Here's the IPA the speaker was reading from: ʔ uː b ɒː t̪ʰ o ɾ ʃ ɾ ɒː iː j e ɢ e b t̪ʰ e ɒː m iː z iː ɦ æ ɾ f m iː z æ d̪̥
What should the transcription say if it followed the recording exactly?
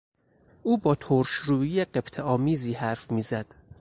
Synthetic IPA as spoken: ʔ uː b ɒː t̪ʰ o ɾ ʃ ɾ uː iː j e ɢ e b t̪ʰ e ɒː m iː z iː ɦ æ ɾ f m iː z æ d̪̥